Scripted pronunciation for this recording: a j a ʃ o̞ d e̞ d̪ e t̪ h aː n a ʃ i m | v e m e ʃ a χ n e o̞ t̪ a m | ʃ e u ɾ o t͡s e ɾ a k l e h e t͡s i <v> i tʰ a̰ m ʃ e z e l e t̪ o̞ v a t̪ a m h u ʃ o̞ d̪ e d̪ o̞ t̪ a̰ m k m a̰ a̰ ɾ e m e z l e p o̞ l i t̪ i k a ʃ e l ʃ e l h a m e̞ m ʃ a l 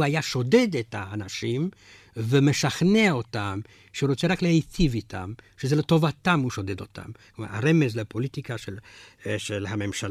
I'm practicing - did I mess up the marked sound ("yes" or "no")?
no